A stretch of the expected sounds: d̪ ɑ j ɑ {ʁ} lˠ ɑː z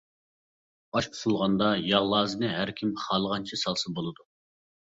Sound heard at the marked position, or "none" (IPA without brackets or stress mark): ʁ